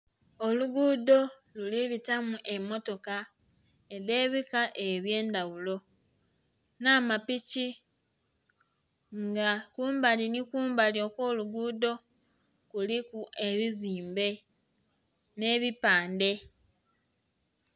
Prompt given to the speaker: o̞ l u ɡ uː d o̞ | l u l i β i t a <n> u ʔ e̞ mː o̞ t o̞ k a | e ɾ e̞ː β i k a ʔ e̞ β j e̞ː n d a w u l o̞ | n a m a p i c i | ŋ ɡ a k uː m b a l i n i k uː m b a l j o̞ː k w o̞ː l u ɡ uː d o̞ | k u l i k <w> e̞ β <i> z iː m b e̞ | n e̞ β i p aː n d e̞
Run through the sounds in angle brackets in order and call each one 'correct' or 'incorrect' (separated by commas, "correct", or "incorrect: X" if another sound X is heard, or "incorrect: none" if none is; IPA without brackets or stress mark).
incorrect: m, incorrect: u, correct